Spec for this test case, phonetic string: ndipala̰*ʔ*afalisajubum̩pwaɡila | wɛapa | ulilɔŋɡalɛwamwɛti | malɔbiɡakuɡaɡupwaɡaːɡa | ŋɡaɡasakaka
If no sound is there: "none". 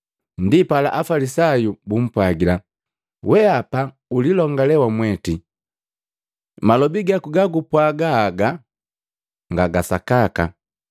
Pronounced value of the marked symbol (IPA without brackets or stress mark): ʔ